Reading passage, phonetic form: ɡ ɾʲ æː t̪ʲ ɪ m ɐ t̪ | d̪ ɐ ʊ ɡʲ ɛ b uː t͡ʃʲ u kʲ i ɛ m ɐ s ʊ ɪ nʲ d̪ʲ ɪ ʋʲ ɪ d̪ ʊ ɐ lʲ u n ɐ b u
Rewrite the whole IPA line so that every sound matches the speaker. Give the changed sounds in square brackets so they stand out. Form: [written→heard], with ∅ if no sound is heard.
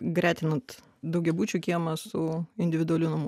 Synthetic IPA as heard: ɡ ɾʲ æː t̪ʲ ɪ [m→n] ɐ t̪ | d̪ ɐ ʊ ɡʲ ɛ b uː t͡ʃʲ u kʲ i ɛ m ɐ s ʊ ɪ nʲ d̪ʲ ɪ ʋʲ ɪ d̪ ʊ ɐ lʲ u n ɐ [b→m] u